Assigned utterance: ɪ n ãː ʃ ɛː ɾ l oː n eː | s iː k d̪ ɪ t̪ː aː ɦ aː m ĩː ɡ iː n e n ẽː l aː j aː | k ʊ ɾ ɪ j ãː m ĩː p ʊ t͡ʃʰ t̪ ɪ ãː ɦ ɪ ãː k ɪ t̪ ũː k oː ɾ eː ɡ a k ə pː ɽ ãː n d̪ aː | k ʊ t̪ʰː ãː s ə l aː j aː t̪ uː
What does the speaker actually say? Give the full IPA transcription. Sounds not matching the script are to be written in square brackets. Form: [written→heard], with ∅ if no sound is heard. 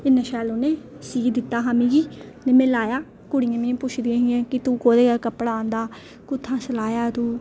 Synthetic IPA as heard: ɪ n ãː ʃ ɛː [ɾ→∅] l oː n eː | s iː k d̪ ɪ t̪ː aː ɦ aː m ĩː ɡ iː n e [n→m] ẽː l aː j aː | k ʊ [ɾ→ɽ] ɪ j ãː m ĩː p ʊ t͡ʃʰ [t̪→d̪] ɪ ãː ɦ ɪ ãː k ɪ t̪ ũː k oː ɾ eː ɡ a k ə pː ɽ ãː n d̪ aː | k ʊ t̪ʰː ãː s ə l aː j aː t̪ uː